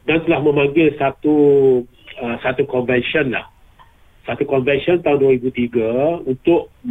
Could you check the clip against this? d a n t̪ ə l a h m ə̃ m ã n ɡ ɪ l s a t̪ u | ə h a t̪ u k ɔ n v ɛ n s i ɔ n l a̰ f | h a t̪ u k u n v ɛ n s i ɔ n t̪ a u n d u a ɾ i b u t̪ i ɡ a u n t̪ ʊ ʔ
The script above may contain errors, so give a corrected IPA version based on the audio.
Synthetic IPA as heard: d a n t̪ ə l a h m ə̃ m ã ŋ ɡ ɪ l s a t̪ u | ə s a t̪ u k ɔ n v ɛ n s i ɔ n l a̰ h | s a t̪ u k ɔ n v ɛ n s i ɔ n t̪ a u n d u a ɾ i b u t̪ i ɡ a u n t̪ ʊ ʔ